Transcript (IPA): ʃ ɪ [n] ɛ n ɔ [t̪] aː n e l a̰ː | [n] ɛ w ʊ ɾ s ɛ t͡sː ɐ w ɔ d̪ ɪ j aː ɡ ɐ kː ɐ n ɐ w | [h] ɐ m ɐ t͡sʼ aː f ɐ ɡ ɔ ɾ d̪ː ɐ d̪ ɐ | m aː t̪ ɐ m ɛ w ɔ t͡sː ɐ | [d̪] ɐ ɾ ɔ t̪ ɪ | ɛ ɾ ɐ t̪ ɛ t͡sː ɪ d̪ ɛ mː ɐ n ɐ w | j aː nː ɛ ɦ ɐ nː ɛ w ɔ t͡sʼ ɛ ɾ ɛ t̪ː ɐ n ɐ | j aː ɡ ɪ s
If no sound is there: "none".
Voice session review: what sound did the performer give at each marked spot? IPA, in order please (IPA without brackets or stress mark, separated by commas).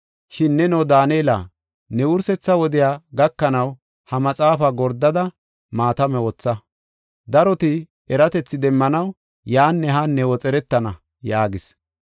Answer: nː, d̪, n, h, d̪